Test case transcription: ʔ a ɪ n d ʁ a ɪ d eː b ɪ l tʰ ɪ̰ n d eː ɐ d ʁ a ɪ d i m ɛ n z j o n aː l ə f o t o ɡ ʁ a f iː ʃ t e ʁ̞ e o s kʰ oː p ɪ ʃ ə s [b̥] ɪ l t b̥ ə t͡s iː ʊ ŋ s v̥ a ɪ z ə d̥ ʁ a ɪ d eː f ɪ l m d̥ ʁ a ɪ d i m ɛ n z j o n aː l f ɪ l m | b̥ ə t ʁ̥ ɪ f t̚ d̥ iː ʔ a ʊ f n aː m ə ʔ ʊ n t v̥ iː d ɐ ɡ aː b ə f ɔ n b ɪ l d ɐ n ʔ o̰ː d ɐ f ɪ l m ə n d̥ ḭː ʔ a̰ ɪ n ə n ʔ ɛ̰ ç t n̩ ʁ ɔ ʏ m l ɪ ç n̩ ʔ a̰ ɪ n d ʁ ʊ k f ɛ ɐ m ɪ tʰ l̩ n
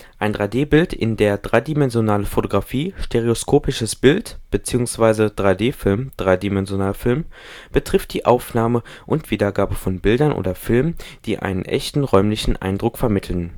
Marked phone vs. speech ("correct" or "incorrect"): correct